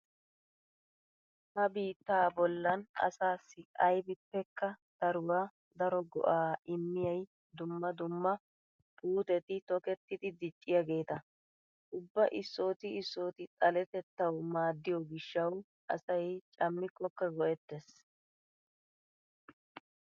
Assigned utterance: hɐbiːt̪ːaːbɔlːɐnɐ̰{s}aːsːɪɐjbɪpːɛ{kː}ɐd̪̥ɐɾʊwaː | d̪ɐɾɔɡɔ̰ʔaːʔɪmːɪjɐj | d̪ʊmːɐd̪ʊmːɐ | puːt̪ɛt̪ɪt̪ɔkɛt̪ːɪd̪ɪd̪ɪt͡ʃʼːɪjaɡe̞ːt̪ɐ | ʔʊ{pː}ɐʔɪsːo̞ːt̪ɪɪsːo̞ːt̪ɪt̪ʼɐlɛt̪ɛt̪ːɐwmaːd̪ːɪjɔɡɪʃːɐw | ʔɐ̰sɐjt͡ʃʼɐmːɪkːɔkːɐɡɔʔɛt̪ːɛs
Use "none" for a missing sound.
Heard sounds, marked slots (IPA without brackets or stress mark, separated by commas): s, kː, bː